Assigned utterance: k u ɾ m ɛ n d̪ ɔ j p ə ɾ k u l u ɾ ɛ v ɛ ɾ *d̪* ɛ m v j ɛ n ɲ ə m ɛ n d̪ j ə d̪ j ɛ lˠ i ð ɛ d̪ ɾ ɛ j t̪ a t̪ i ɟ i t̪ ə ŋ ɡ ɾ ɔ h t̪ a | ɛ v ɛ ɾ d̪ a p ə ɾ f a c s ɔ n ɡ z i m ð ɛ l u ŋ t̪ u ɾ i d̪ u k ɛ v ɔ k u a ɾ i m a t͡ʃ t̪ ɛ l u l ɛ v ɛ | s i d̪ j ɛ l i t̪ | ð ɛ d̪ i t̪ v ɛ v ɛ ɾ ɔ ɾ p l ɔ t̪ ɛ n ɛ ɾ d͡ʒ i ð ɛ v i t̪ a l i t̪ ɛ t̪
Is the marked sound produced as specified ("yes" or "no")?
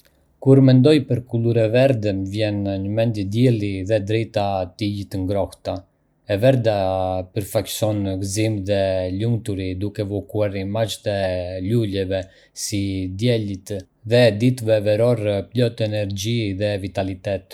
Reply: yes